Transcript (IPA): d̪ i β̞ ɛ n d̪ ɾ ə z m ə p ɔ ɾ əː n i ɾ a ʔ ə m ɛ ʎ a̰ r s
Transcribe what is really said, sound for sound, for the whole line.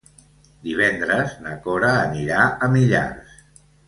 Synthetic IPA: d̪ i β̞ ɛ n d̪ ɾ ə z n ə k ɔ ɾ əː n i ɾ a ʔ ə m i ʎ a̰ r s